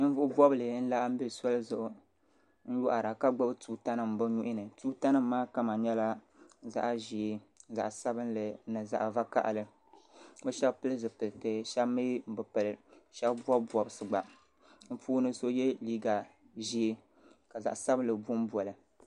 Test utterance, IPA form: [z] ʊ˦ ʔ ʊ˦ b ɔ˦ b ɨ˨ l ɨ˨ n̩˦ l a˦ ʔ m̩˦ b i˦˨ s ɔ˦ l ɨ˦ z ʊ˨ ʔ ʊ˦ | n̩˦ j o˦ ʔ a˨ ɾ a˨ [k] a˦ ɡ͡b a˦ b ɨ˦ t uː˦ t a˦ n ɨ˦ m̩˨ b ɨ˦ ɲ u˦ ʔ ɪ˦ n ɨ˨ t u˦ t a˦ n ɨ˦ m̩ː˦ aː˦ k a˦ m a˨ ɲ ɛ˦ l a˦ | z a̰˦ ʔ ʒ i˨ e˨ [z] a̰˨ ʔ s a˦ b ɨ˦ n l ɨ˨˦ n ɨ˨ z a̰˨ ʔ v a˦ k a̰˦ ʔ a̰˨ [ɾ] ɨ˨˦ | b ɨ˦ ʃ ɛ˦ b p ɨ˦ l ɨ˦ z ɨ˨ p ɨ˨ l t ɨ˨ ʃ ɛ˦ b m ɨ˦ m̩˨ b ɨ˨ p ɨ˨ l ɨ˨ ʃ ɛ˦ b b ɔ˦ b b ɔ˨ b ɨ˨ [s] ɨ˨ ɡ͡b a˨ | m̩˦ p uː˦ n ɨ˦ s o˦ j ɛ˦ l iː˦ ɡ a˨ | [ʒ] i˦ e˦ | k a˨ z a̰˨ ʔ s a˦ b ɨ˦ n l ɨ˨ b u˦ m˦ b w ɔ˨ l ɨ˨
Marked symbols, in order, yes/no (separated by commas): no, yes, yes, no, yes, yes